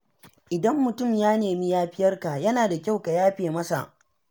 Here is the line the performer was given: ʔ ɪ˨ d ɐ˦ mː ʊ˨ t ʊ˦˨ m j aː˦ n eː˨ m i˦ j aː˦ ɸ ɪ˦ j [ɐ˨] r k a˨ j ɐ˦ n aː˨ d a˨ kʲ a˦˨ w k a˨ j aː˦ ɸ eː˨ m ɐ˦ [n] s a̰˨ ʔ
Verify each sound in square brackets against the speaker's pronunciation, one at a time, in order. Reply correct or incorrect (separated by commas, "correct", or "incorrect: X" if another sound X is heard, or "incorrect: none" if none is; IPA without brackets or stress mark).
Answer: incorrect: ɐ˦, incorrect: none